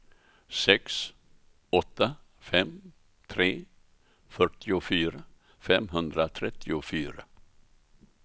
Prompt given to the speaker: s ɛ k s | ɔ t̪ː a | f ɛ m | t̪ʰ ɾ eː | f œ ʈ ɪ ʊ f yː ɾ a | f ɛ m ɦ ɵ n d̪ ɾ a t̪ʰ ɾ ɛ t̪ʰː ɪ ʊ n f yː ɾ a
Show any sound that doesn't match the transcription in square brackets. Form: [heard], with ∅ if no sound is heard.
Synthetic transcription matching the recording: s ɛ k s | ɔ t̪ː a | f ɛ m | t̪ʰ ɾ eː | f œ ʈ ɪ ʊ f yː ɾ a | f ɛ m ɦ ɵ n d̪ ɾ a t̪ʰ ɾ ɛ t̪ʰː ɪ ʊ [∅] f yː ɾ a